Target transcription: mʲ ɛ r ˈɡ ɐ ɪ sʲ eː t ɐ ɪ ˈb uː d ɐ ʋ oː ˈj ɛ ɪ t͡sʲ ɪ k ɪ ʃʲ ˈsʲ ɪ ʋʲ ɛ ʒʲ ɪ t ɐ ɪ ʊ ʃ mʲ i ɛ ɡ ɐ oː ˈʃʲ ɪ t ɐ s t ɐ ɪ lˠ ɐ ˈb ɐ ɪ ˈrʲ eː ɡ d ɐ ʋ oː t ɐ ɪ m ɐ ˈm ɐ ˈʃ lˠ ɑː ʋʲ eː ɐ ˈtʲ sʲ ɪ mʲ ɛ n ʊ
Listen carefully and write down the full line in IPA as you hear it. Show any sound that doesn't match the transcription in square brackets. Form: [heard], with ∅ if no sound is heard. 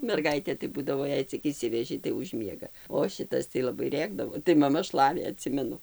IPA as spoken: mʲ ɛ r ˈɡ ɐ ɪ [tʲ] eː t ɐ ɪ ˈb uː d ɐ ʋ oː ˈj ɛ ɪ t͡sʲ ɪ k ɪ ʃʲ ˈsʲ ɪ ʋʲ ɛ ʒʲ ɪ t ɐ ɪ ʊ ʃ mʲ i ɛ ɡ ɐ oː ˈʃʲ ɪ t ɐ s t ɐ ɪ lˠ ɐ ˈb ɐ ɪ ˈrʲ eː ɡ d ɐ ʋ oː t ɐ ɪ m ɐ ˈm ɐ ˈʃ lˠ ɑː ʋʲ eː ɐ ˈtʲ sʲ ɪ mʲ ɛ n ʊ